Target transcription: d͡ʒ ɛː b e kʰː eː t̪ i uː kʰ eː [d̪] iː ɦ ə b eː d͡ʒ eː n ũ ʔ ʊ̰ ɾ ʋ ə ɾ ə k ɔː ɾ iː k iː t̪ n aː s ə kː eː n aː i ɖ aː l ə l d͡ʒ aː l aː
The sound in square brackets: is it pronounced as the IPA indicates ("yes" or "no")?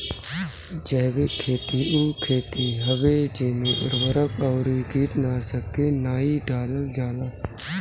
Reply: no